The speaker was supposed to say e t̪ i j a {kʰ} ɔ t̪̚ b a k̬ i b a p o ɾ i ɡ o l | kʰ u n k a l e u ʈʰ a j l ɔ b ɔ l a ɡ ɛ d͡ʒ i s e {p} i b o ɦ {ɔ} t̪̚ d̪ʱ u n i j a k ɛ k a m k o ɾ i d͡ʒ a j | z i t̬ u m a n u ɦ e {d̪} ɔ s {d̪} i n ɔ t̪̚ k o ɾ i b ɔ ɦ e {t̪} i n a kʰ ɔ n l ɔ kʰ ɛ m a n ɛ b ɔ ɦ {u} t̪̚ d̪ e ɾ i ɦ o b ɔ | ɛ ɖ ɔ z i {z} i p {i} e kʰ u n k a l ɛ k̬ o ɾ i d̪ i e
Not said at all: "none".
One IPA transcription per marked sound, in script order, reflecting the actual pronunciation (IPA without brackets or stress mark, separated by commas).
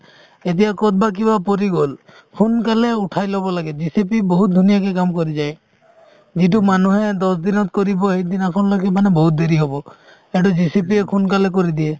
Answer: k, p, u, d̪, d̪, d̪, u, s, i